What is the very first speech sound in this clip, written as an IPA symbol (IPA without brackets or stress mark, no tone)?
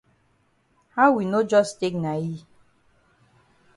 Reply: h